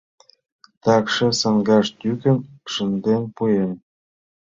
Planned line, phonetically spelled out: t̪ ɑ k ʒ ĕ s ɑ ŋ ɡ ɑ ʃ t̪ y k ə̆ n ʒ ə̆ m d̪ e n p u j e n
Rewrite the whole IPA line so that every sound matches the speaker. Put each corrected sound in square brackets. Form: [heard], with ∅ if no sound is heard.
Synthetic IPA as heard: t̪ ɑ k [ʃ] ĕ s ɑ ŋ ɡ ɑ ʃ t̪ y k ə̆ n [ʃ] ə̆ [n] d̪ e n p u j e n